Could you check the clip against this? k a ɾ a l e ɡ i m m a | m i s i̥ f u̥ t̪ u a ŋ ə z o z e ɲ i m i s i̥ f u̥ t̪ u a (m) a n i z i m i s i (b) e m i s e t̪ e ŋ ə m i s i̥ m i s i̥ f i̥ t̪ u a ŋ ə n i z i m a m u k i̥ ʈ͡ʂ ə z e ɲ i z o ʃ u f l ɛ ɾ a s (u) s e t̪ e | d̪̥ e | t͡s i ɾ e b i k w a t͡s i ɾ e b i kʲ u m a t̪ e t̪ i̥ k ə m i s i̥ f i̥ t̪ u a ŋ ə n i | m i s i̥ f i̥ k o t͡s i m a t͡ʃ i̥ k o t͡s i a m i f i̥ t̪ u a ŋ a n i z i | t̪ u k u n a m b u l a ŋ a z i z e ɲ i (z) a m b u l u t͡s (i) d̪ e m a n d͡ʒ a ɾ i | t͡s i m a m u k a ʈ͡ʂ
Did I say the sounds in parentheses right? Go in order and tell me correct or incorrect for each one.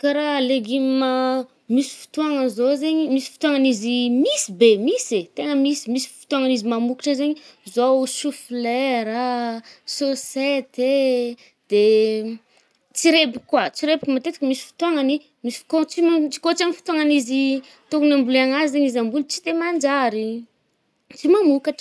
incorrect: ŋ, correct, incorrect: o, correct, correct

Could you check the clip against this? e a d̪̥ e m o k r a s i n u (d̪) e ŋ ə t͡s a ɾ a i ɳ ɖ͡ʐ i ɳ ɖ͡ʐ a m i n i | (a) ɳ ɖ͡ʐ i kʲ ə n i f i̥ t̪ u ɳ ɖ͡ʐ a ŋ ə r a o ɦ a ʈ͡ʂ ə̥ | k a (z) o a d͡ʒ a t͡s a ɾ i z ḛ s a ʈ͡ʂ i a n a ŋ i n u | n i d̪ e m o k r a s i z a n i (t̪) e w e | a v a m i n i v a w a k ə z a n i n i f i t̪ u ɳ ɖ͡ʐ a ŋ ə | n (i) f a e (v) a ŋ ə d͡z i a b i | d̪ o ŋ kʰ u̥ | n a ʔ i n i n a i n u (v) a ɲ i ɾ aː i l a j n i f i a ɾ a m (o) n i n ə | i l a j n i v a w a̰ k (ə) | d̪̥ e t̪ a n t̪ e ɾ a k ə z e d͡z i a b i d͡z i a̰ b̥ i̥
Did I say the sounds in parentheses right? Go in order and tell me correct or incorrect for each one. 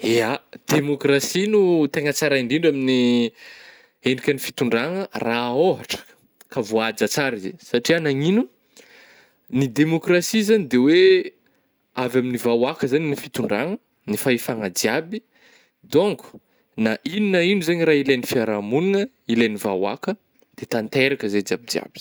incorrect: t̪, incorrect: e, incorrect: v, incorrect: d̪, correct, incorrect: f, incorrect: z, incorrect: u, correct

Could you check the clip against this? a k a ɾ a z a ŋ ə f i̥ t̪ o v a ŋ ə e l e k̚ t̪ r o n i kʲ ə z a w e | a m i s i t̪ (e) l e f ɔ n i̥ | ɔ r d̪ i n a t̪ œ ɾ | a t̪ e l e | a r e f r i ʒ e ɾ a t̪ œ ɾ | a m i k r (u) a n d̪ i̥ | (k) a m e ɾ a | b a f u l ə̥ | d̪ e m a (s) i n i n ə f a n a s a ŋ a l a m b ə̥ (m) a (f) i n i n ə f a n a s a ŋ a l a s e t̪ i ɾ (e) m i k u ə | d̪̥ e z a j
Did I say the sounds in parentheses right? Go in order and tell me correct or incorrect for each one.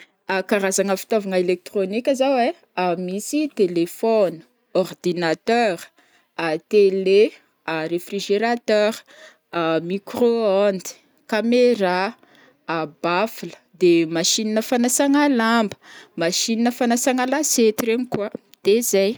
correct, incorrect: o, correct, incorrect: ʃ, correct, incorrect: ʃ, correct

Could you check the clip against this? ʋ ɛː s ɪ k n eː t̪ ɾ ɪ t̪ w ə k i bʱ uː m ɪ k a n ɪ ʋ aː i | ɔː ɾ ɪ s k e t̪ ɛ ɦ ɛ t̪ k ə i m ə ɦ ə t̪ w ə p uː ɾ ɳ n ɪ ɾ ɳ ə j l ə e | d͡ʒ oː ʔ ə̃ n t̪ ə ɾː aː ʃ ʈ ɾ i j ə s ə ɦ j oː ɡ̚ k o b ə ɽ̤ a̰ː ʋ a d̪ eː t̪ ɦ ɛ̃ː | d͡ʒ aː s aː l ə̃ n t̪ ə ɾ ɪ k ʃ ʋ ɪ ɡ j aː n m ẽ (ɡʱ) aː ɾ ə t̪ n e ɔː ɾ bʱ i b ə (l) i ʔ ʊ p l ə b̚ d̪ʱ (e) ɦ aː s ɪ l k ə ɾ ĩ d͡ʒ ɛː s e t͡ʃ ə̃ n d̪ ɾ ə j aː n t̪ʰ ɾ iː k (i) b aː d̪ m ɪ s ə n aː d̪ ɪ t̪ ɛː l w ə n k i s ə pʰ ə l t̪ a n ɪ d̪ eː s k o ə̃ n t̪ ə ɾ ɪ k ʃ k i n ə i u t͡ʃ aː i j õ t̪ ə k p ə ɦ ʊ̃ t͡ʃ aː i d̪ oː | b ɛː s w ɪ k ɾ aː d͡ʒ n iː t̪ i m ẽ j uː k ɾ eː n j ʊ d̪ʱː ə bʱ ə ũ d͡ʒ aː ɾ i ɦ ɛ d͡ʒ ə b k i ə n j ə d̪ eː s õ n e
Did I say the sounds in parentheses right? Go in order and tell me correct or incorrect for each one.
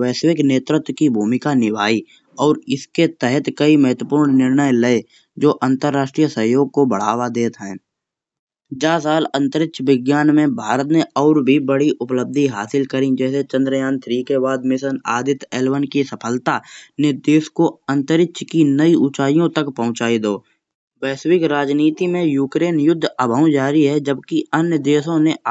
incorrect: bʱ, incorrect: ɽ, incorrect: i, incorrect: e

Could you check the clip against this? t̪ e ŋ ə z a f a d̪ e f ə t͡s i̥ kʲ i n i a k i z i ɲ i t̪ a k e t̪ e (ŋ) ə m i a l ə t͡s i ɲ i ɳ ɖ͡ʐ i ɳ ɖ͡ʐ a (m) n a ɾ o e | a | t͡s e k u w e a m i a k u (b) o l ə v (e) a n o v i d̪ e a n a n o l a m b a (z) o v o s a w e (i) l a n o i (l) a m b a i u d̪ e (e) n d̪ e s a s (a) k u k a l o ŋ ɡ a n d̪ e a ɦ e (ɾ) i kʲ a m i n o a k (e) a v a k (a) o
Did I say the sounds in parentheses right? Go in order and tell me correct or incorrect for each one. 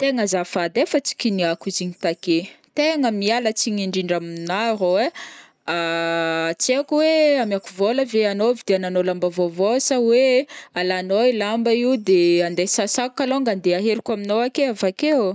correct, correct, incorrect: v, correct, incorrect: v, incorrect: a, correct, incorrect: a, correct, correct, correct, incorrect: e

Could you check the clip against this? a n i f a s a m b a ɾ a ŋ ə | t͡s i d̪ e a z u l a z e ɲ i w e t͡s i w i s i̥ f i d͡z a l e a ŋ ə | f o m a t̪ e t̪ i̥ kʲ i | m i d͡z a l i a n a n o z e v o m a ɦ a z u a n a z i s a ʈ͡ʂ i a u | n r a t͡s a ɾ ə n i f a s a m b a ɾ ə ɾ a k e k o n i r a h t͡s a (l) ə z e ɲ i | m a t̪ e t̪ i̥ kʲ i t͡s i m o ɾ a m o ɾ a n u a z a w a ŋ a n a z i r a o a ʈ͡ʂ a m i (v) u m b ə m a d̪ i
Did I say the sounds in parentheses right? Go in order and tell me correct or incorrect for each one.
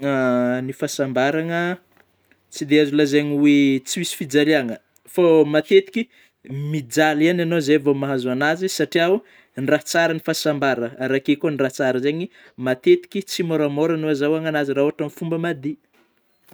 incorrect: ɾ, incorrect: f

